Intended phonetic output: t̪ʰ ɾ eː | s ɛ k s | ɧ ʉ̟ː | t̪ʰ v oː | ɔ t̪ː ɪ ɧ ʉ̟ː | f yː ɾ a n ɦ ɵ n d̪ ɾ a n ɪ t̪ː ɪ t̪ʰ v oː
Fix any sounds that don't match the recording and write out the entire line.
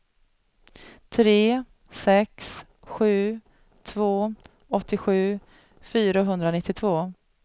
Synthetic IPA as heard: t̪ʰ ɾ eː | s ɛ k s | ɧ ʉ̟ː | t̪ʰ v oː | ɔ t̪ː ɪ ɧ ʉ̟ː | f yː ɾ a ɦ ɵ n d̪ ɾ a n ɪ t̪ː ɪ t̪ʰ v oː